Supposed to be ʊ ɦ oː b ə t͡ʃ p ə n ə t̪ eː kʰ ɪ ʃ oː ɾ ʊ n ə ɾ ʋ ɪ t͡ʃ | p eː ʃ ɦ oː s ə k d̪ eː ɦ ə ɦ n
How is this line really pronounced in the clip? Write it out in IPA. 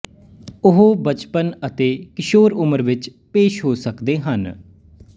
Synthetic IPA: ʊ ɦ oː b ə t͡ʃ p ə n ə t̪ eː k ɪ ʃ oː ɾ ʊ m ə ɾ ʋ ɪ t͡ʃ | p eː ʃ ɦ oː s ə k d̪ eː ɦ ə n